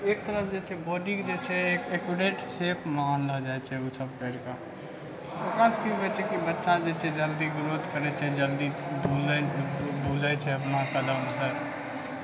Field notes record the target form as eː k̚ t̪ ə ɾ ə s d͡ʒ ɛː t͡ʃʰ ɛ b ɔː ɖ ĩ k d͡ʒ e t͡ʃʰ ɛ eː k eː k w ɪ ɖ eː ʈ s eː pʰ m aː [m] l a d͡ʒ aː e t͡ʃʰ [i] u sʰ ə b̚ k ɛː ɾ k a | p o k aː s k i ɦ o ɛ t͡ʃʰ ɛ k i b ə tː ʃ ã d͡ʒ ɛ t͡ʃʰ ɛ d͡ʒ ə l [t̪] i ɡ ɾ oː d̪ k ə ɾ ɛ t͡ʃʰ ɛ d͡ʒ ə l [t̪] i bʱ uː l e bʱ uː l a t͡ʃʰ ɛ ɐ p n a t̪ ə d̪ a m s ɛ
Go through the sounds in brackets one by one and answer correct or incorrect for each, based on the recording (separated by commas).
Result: incorrect, incorrect, incorrect, incorrect